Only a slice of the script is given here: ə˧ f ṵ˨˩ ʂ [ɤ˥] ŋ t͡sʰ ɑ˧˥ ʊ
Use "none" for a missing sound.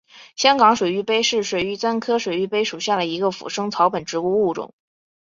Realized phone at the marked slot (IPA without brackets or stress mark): ɤ˥